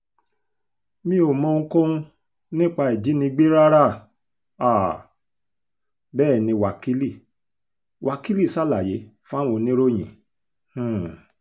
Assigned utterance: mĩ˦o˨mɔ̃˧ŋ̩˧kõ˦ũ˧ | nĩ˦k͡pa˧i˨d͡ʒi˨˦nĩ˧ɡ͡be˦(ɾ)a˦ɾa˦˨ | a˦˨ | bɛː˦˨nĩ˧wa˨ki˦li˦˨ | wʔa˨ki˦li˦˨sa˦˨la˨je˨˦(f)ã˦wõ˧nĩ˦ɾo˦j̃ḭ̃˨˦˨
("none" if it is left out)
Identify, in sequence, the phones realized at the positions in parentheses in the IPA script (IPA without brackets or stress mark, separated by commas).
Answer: ɾ, f